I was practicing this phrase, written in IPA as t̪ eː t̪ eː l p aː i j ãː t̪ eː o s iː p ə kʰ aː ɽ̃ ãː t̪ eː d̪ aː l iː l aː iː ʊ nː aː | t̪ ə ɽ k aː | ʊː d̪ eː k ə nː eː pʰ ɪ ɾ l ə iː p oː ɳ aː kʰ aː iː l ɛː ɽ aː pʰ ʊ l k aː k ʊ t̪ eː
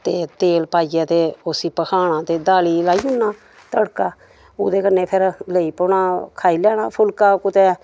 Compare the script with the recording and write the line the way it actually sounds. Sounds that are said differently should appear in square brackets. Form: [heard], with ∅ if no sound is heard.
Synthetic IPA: t̪ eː t̪ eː l p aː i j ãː t̪ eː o s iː p ə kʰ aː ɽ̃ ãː t̪ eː d̪ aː l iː l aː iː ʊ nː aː | t̪ ə ɽ k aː | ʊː d̪ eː k ə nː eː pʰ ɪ ɾ l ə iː p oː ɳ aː kʰ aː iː l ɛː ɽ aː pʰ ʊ l k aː k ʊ t̪ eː